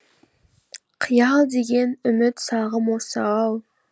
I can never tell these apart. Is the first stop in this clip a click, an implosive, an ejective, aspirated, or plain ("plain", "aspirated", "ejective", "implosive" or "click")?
aspirated